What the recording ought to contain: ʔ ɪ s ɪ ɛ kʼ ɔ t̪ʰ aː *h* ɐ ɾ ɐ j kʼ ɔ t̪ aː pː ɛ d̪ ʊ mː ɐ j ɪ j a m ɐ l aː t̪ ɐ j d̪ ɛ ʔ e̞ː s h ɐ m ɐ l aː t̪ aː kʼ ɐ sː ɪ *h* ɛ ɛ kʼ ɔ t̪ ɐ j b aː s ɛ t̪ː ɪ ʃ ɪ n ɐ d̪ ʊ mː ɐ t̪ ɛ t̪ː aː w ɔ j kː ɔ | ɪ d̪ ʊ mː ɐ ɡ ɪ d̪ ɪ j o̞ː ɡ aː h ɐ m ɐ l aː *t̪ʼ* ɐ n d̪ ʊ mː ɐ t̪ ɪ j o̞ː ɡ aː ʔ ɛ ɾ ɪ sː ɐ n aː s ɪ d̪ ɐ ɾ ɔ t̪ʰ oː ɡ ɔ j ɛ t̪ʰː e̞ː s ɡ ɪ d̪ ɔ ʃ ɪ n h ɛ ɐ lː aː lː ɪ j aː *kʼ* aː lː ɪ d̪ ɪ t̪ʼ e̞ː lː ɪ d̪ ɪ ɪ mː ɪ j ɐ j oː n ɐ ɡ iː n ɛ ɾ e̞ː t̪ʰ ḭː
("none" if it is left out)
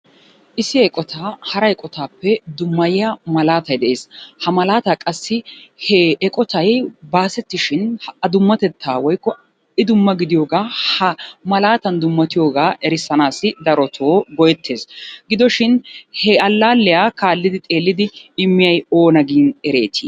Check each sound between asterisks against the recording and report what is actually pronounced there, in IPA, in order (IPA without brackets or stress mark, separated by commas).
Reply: h, h, t̪, k